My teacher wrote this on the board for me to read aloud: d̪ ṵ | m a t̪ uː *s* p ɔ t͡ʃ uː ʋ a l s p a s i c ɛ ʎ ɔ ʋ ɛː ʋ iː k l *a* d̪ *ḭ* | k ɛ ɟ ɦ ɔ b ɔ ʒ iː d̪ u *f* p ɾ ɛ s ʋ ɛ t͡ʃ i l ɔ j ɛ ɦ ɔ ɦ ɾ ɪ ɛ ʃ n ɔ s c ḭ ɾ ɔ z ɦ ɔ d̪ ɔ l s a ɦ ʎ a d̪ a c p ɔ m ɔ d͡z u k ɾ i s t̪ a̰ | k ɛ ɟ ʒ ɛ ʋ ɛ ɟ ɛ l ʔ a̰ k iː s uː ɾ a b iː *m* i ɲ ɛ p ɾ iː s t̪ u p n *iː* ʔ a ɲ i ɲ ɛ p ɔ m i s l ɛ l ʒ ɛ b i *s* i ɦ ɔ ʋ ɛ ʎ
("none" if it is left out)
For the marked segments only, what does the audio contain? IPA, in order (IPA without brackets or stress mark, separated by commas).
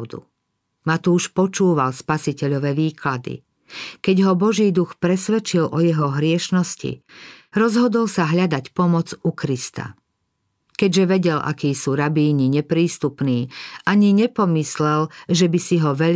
ʃ, a, ḭ, x, ɲ, iː, s